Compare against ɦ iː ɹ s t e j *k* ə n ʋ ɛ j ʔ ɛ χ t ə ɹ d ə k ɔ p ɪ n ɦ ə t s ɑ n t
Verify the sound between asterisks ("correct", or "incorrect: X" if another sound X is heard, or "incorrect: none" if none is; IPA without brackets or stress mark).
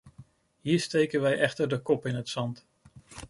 correct